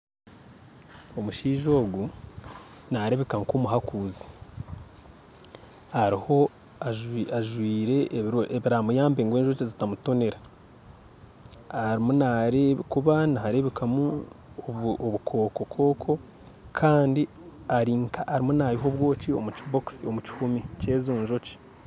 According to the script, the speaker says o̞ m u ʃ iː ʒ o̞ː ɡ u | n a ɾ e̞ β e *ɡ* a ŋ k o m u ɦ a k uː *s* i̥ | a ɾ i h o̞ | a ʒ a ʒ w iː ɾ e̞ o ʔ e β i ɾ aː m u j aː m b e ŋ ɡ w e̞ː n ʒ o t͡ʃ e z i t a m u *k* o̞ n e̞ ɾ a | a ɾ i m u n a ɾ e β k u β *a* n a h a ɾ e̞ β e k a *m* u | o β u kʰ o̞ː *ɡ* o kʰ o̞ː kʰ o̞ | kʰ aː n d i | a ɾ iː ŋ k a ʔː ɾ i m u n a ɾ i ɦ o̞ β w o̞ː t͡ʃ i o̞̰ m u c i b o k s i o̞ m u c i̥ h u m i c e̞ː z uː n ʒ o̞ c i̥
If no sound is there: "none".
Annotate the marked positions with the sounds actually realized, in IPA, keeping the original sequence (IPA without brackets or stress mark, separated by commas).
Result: k, z, t, a, m, k